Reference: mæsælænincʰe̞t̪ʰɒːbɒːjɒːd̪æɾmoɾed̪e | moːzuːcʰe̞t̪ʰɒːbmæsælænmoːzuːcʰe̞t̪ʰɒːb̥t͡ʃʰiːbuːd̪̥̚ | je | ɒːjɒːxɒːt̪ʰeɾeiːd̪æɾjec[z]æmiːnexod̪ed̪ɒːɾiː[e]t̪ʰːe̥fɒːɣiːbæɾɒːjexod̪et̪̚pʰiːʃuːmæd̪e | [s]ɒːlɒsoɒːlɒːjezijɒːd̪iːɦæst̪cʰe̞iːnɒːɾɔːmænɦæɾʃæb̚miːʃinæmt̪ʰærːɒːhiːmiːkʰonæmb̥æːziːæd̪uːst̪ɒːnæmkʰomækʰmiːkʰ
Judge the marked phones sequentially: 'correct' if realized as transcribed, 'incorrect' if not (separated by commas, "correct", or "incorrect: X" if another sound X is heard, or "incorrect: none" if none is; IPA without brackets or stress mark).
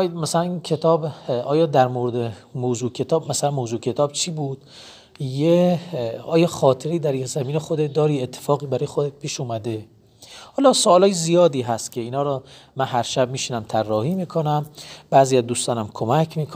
correct, correct, incorrect: h